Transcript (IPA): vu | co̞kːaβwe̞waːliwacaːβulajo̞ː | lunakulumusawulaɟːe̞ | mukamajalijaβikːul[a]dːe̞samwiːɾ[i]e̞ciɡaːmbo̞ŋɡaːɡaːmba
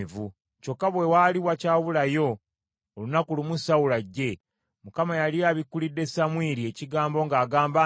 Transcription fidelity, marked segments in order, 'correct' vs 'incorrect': incorrect, correct

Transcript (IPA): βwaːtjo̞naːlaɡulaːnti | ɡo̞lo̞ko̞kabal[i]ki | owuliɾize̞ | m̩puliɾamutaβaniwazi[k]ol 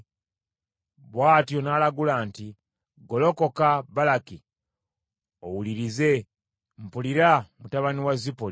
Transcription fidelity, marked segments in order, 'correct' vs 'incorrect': incorrect, incorrect

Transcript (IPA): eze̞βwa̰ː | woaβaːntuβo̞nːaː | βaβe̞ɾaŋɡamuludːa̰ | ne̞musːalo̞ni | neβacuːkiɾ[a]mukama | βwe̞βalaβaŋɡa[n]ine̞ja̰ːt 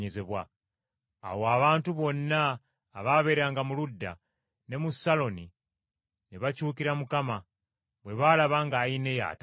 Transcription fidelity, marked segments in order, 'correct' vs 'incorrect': correct, incorrect

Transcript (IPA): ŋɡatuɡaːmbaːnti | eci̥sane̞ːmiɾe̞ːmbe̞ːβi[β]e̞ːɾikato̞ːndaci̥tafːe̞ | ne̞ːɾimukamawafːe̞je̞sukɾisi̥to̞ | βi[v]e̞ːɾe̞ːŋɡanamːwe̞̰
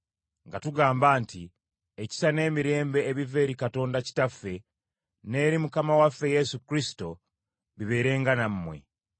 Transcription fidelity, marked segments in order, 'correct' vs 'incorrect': incorrect, incorrect

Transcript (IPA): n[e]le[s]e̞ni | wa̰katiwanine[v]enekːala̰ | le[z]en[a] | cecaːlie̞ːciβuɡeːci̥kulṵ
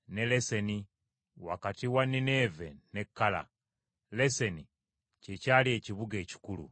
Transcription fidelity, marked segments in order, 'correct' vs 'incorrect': correct, correct, correct, incorrect, incorrect

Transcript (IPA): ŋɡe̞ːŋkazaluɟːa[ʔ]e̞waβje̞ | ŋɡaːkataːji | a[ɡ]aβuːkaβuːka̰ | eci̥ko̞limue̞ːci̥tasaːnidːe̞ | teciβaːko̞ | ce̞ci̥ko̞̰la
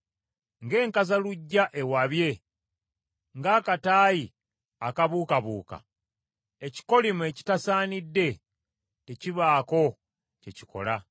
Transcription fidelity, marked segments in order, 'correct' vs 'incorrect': correct, incorrect

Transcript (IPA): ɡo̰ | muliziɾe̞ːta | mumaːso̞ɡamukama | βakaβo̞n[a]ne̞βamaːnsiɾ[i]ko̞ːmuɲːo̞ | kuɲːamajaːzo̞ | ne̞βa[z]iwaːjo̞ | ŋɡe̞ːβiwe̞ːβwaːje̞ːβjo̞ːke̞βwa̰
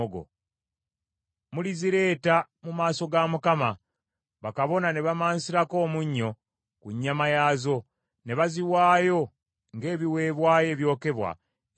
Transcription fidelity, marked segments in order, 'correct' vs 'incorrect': correct, incorrect, correct

